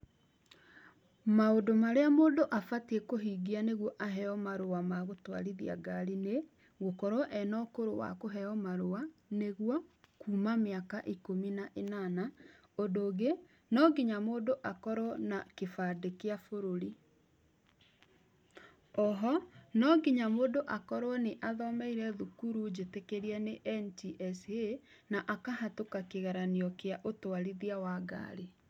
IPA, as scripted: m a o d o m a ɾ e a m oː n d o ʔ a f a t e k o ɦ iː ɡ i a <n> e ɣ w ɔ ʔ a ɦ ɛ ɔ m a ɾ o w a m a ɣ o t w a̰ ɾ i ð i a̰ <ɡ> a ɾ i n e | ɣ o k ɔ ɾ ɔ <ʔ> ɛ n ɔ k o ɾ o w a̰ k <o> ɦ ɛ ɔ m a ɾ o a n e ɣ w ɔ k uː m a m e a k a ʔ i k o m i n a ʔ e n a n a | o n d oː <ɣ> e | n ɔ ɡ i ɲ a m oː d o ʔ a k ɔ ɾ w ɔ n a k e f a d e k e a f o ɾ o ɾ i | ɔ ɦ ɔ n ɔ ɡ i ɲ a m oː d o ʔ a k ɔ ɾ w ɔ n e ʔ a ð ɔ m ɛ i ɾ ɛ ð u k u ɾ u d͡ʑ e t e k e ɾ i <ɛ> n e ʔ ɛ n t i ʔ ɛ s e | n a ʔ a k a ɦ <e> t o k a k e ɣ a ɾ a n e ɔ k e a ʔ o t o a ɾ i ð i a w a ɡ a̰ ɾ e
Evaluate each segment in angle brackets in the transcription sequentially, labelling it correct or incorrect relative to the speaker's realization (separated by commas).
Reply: correct, correct, correct, correct, correct, correct, incorrect